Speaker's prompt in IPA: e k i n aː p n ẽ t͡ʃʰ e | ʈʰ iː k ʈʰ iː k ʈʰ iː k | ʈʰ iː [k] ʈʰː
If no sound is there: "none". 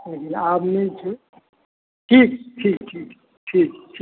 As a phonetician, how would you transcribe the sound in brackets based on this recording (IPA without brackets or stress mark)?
k